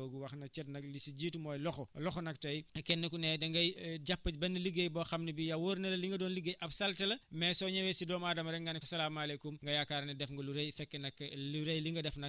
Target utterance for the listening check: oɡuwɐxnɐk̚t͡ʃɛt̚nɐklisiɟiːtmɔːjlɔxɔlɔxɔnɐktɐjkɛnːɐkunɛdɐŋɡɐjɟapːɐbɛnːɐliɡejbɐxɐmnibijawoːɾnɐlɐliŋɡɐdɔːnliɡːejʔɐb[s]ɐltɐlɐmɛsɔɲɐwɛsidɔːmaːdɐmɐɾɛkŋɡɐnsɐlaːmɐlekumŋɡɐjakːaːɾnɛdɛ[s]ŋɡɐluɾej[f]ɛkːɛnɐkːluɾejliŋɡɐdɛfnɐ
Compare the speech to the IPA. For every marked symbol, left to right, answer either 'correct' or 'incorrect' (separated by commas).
correct, incorrect, correct